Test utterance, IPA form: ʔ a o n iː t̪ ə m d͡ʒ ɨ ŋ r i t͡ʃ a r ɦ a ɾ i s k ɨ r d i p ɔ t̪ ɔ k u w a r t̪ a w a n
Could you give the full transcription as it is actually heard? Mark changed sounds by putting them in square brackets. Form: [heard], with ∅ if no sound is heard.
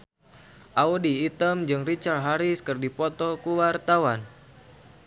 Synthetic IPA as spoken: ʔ a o [d] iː t̪ ə m d͡ʒ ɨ ŋ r i t͡ʃ a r ɦ a ɾ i s k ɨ r d i p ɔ t̪ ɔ k u w a r t̪ a w a n